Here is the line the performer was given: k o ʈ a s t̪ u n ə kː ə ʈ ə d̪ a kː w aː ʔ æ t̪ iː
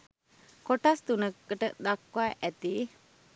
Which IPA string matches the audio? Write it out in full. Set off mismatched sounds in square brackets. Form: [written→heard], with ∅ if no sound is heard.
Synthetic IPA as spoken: k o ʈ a s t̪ u n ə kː ə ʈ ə d̪ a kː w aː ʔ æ t̪ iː